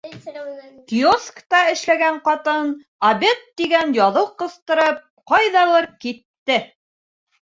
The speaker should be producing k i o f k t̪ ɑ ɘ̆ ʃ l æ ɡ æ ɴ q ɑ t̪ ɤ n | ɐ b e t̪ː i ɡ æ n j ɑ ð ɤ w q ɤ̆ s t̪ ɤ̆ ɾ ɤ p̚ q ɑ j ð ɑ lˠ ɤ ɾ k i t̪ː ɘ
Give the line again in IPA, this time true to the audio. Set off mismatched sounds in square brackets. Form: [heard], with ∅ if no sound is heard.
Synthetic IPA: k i o [s] k t̪ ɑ ɘ̆ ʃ l æ ɡ æ ɴ q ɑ t̪ ɤ n | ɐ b e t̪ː i ɡ æ n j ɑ ð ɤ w q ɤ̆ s t̪ ɤ̆ ɾ ɤ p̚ q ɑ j ð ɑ lˠ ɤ ɾ k i t̪ː ɘ